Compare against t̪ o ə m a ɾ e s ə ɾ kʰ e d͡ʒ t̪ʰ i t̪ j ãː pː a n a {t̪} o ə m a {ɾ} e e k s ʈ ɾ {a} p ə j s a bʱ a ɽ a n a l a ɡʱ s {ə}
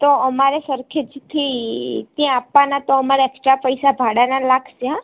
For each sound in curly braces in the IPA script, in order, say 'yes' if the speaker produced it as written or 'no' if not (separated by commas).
yes, yes, yes, no